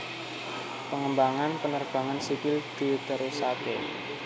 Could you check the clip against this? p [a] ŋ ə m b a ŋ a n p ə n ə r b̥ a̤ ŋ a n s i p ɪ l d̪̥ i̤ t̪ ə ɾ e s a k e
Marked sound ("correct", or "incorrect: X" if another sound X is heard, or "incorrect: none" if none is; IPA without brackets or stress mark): incorrect: ə